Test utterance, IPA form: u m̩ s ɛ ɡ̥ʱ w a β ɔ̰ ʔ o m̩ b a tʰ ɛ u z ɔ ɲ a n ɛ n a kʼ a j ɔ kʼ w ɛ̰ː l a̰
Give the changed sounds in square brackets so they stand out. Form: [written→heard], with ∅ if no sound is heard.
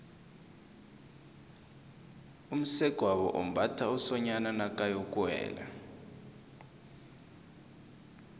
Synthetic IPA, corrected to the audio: u m̩ s ɛ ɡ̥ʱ w a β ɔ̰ ʔ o m̩ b a tʰ [ɛ→a] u [z→s] ɔ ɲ a n [ɛ→a] n a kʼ a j ɔ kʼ w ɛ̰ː l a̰